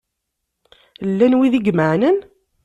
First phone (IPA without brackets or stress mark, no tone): lː